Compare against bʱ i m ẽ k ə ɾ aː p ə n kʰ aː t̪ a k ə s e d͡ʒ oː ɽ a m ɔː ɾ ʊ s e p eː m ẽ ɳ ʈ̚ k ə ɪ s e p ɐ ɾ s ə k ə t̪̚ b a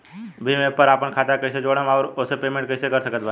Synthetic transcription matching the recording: bʱ i m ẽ p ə ɾ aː p ə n kʰ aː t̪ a k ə s e d͡ʒ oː ɽ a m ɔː ɾ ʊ s e p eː m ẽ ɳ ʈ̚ k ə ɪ s e k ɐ ɾ s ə k ə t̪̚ b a